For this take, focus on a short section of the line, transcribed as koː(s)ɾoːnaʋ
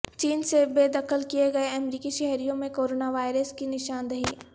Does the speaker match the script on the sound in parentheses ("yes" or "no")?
no